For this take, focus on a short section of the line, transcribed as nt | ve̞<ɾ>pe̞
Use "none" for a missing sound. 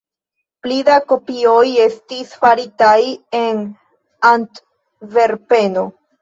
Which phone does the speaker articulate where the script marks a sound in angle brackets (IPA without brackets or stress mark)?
ɾ